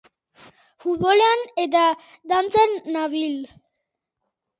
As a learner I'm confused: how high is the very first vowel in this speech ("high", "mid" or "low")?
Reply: high